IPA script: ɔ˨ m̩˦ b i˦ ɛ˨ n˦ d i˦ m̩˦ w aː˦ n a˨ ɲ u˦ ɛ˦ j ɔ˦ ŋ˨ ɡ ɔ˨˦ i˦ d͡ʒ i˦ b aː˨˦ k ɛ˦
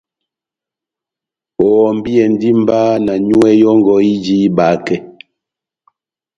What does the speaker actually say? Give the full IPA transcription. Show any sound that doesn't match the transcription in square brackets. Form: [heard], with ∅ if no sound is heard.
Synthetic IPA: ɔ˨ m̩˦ b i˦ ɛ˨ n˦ d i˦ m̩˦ [b] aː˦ n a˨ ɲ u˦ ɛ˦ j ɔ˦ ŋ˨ ɡ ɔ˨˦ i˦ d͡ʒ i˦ b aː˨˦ k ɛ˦